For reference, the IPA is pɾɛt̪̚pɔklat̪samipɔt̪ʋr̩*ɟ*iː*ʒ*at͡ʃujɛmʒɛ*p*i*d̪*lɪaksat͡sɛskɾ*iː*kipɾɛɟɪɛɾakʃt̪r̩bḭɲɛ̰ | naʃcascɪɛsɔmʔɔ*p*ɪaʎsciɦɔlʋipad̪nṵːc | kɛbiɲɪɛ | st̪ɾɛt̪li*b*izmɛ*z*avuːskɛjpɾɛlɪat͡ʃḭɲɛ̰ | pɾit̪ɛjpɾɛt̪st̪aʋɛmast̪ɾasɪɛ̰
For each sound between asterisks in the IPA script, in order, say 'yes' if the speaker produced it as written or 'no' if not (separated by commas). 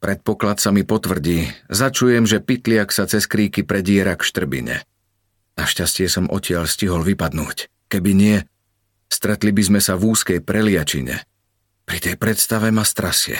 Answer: yes, no, yes, no, yes, no, yes, no